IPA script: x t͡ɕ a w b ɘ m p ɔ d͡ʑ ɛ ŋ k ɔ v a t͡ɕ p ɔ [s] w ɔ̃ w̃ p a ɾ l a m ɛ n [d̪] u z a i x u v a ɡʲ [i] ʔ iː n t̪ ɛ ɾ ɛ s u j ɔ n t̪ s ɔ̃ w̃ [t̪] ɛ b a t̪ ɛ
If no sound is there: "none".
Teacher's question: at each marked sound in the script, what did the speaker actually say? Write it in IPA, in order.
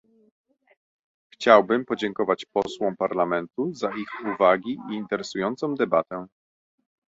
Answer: s, t̪, i, d̪

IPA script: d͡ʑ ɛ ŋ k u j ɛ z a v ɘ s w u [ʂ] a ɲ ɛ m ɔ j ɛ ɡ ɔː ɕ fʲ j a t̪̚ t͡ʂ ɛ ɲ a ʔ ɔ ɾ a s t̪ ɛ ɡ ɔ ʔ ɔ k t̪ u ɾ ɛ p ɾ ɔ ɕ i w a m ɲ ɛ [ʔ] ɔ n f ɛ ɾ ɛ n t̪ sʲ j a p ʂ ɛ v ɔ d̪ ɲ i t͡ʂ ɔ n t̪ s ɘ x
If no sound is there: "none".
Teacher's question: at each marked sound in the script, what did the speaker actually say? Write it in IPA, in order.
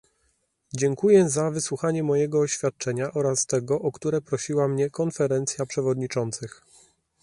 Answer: x, k

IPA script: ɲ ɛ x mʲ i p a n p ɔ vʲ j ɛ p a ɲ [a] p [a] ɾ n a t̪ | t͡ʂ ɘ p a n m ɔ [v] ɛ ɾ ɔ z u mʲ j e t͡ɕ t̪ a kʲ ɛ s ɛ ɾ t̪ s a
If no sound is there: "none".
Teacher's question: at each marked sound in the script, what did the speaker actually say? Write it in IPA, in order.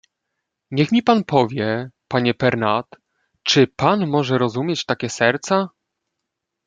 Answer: ɛ, ɛ, ʐ

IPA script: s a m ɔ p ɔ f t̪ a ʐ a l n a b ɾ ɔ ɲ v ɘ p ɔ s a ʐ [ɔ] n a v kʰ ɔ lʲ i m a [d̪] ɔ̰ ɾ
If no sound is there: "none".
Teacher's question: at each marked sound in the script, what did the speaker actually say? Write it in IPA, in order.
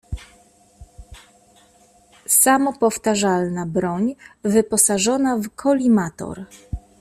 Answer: ɔ, t̪

